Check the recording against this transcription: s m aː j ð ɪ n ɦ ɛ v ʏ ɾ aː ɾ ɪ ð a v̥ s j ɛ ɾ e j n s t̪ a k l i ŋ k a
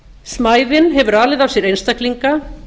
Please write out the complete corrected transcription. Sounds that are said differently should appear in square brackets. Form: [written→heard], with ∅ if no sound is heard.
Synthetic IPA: s m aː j ð ɪ n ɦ ɛ v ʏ ɾ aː [ɾ→l] ɪ ð a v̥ s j ɛ ɾ e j n s t̪ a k l i ŋ k a